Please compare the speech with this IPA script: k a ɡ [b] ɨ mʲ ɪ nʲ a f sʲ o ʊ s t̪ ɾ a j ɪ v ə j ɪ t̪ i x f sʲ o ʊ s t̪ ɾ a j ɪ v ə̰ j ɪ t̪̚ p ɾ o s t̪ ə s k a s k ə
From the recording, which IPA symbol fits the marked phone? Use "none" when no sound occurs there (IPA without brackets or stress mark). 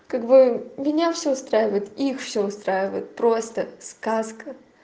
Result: b